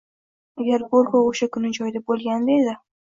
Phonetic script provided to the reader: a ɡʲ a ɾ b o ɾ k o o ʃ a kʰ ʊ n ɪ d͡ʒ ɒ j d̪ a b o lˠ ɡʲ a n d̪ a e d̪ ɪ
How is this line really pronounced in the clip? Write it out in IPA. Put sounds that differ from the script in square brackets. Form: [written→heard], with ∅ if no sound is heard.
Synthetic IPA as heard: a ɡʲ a ɾ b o ɾ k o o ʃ a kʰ ʊ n ɪ d͡ʒ ɒ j d̪ a b o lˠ ɡʲ a n d̪ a e d̪ ɪ